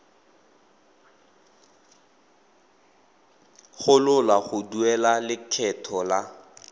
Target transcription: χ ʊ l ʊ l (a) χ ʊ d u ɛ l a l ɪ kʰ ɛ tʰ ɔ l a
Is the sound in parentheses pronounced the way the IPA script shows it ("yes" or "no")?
yes